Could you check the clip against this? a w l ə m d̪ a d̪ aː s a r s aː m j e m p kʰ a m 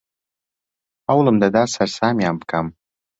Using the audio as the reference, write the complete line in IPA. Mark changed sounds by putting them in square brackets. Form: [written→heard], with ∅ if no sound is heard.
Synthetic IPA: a w l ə m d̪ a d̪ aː s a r s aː m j [e→a] m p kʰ a m